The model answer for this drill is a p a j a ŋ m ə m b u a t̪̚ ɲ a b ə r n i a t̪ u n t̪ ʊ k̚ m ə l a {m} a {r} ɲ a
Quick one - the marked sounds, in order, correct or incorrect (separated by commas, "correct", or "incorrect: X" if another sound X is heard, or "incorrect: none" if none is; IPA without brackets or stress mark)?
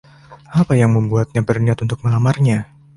correct, correct